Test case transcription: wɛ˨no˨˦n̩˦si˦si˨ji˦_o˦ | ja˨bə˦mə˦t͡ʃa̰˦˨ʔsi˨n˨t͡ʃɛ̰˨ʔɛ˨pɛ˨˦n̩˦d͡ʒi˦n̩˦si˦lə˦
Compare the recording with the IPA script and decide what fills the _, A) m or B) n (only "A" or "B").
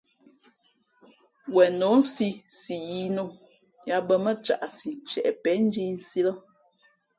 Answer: B